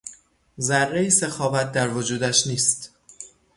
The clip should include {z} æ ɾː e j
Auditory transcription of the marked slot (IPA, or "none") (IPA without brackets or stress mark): z